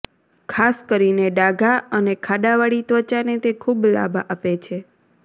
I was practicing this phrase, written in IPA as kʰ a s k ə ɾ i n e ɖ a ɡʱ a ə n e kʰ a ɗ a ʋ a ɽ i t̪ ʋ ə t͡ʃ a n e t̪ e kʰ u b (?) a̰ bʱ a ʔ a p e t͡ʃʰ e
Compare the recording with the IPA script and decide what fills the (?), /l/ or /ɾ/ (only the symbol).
l